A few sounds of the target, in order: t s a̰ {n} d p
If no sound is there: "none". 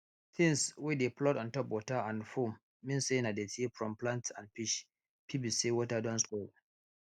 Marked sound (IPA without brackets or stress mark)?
n